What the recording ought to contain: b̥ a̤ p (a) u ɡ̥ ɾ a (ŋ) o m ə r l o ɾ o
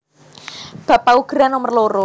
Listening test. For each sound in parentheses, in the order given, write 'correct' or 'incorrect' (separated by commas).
correct, incorrect